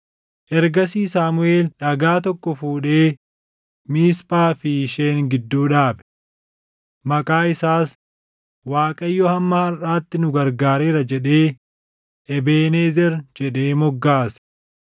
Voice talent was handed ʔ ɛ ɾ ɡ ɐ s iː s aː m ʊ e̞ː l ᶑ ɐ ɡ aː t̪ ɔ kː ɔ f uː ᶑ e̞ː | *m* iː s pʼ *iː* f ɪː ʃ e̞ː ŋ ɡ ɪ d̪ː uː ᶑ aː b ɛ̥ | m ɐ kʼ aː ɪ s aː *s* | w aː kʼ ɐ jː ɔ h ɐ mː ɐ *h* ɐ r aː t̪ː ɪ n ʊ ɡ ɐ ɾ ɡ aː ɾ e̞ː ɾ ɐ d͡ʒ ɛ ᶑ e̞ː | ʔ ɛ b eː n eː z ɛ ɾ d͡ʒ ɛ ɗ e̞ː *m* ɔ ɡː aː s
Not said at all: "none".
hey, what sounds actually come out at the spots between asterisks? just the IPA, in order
m, aː, s, h, m

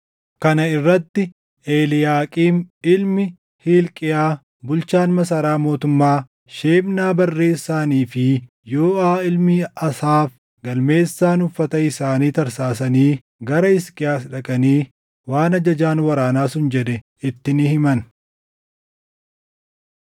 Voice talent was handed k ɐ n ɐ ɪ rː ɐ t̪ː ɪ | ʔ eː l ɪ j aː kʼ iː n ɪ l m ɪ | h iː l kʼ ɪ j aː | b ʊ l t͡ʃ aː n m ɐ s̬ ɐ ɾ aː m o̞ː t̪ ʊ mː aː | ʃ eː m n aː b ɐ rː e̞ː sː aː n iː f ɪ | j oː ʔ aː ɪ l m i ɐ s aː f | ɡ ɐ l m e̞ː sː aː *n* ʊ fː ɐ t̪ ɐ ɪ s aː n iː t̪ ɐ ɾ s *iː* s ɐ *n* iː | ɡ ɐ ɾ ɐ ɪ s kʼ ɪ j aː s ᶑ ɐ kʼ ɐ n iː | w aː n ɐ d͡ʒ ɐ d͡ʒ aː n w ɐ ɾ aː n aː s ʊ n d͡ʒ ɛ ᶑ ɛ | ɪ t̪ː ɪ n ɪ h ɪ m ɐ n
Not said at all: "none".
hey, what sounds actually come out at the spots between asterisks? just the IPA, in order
n, aː, n

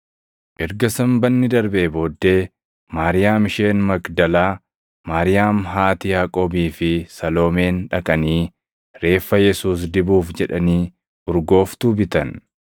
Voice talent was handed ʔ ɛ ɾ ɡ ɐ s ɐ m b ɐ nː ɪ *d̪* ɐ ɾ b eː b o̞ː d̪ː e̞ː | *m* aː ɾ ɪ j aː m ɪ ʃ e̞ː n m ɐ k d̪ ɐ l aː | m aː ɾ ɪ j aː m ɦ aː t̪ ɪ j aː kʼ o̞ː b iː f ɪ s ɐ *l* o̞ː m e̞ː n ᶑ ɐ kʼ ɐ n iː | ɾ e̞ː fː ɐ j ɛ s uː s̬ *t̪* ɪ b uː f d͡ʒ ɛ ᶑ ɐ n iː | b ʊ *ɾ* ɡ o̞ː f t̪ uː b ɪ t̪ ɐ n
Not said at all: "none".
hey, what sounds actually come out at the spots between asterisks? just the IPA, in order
d̪, m, l, d̪, ɾ

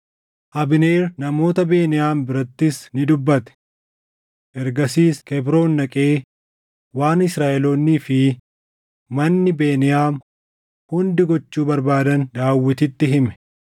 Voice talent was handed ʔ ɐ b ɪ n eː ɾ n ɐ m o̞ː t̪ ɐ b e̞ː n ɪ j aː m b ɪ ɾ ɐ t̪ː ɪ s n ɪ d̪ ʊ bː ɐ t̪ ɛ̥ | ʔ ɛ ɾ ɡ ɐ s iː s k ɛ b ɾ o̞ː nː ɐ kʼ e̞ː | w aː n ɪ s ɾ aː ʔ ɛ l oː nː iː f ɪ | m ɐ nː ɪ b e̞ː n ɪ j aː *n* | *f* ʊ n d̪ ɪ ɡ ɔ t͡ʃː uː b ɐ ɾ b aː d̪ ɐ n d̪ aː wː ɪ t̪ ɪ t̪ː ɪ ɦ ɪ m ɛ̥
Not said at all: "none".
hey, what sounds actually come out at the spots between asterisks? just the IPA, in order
m, h

